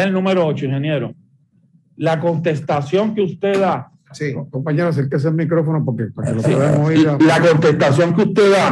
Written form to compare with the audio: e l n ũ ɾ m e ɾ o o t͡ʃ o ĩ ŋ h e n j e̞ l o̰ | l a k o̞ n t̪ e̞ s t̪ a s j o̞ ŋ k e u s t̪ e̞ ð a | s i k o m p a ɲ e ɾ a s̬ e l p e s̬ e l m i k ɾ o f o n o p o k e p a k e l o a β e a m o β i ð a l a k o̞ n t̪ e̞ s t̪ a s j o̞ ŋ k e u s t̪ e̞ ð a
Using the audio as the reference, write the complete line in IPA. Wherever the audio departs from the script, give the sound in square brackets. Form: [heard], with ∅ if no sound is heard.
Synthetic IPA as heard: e l n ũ [∅] m e ɾ o o t͡ʃ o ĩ ŋ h e n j e̞ [ɾ] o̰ | l a k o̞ n t̪ e̞ s t̪ a s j o̞ ŋ k e u s t̪ e̞ ð a | s i k o m p a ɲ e ɾ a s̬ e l [k] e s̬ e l m i k ɾ o f o n o p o k e p a k e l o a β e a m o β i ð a l a k o̞ n t̪ e̞ s t̪ a s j o̞ ŋ k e u s t̪ e̞ ð a